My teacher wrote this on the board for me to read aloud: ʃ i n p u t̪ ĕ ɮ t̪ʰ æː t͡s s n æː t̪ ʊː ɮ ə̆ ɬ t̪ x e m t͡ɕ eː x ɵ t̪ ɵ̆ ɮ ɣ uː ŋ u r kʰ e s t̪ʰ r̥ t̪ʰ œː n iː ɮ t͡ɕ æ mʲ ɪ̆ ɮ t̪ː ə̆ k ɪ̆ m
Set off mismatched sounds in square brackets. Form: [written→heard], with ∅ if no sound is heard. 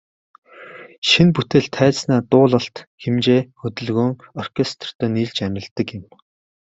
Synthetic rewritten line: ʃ i n p u t̪ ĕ ɮ t̪ʰ æː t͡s s n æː t̪ ʊː ɮ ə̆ ɬ t̪ x e m t͡ɕ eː x ɵ t̪ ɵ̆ ɮ ɣ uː ŋ [u→ɔ] r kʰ e s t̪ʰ r̥ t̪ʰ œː n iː ɮ t͡ɕ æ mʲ ɪ̆ ɮ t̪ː ə̆ k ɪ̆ m